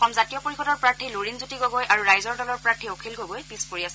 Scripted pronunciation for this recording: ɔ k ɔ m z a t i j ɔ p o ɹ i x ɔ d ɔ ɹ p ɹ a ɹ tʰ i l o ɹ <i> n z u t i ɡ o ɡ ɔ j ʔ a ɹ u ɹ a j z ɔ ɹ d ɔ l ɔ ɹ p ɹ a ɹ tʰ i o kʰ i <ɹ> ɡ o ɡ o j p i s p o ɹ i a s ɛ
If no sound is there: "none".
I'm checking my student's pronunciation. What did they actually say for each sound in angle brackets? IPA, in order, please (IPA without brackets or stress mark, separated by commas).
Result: i, l